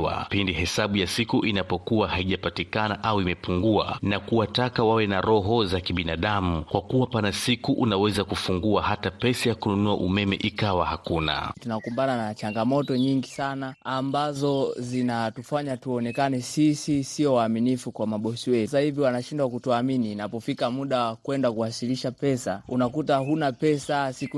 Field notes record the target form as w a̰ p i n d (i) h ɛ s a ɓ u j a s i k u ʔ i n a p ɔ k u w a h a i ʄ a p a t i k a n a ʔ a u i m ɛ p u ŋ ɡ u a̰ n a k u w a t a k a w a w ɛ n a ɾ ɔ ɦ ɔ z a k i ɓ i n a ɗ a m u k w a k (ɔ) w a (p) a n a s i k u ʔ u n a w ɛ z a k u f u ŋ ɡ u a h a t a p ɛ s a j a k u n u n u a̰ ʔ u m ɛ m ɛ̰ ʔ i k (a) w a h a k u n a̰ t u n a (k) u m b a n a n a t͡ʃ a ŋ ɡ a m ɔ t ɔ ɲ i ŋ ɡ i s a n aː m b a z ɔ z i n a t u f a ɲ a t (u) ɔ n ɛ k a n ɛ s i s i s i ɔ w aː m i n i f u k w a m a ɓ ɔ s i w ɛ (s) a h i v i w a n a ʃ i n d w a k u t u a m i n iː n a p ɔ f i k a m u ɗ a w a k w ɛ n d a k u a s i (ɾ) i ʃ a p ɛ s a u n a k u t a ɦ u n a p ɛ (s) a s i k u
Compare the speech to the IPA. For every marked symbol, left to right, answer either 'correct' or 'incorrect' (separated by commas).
correct, incorrect, correct, correct, correct, correct, correct, incorrect, correct